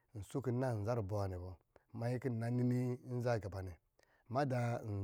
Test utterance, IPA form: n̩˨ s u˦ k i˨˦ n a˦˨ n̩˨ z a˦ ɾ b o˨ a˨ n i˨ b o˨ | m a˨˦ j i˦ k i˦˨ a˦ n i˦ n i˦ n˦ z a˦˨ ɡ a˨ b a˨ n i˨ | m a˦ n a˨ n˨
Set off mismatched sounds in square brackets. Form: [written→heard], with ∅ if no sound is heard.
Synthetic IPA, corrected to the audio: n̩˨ s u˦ k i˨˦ n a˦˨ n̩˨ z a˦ ɾ b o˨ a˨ n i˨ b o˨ | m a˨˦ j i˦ k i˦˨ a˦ n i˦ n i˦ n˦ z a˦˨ ɡ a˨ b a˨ n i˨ | m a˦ [n→d] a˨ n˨